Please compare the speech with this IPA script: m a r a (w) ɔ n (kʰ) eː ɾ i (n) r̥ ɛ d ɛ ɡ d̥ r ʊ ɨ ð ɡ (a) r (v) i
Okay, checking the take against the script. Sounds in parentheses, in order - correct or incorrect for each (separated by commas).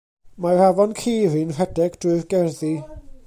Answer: incorrect, correct, correct, incorrect, incorrect